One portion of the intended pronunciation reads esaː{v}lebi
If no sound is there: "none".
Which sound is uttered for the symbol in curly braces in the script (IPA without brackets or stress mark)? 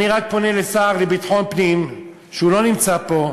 ʁ